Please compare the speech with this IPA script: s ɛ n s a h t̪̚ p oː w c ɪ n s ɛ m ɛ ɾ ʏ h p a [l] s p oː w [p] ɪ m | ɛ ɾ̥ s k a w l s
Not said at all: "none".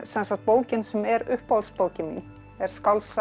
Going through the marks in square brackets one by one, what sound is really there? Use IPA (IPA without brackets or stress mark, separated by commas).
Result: l, c